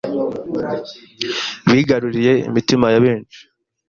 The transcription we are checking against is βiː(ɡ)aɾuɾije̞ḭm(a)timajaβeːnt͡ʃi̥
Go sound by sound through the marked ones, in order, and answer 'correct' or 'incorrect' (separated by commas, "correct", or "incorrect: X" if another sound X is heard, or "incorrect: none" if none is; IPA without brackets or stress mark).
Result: correct, incorrect: i